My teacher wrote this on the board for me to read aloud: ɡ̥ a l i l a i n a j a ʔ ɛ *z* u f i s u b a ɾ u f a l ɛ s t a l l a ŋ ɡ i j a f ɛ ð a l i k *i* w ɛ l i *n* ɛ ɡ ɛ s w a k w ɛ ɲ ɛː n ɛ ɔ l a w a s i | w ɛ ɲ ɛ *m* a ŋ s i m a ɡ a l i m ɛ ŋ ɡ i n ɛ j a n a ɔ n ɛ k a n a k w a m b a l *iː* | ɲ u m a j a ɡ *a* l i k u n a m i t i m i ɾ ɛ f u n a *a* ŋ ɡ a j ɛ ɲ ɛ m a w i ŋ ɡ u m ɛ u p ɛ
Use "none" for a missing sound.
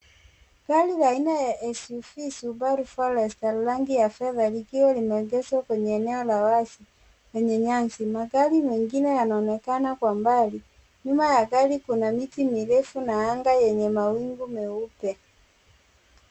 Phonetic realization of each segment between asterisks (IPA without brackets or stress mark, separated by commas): s, i, m, ɲ, i, a, a